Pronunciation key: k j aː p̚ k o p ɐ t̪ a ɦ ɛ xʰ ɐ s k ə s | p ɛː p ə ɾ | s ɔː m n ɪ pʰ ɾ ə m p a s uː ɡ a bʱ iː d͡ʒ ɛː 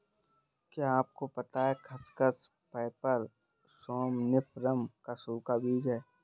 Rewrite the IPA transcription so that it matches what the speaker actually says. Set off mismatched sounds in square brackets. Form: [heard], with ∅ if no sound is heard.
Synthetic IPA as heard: k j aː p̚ k o p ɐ t̪ a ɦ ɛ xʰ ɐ s k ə s | p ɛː p ə ɾ | s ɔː m n ɪ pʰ ɾ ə m [k] a s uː [k] a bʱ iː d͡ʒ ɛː